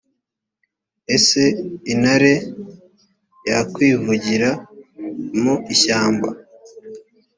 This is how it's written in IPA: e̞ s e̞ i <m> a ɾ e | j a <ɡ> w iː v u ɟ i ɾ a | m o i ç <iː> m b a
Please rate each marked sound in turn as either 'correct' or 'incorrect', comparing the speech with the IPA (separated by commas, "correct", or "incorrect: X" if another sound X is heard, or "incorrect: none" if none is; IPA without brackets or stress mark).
incorrect: n, incorrect: k, incorrect: aː